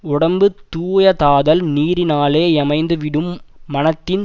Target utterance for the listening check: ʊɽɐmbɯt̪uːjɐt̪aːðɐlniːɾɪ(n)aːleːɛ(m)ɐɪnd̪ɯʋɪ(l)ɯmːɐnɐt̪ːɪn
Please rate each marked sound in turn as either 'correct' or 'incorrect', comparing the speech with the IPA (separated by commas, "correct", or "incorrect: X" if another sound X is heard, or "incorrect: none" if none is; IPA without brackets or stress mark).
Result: correct, correct, incorrect: ɽ